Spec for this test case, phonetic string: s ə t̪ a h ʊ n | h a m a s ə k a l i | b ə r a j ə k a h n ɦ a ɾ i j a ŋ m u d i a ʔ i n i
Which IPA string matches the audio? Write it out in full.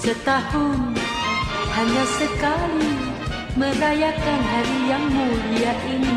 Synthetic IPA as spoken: s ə t̪ a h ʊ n | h a ɲ a s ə k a l i | m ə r a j a k a n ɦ a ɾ i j a ŋ m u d i a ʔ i n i